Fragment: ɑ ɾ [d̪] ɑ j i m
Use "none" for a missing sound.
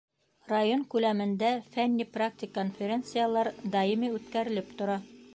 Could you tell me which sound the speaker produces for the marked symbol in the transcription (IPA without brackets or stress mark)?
d̪